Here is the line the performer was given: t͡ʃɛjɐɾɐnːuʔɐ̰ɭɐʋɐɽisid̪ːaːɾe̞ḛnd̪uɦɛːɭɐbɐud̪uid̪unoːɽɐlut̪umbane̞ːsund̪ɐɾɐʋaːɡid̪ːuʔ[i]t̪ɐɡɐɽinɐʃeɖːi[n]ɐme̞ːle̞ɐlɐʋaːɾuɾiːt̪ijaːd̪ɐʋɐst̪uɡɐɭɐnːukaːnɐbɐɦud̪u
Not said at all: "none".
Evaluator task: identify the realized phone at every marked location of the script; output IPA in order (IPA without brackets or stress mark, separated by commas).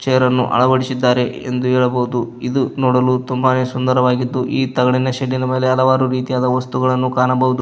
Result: iː, n